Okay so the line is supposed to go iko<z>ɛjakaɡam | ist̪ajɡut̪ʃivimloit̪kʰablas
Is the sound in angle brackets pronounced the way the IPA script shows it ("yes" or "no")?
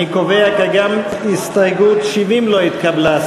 no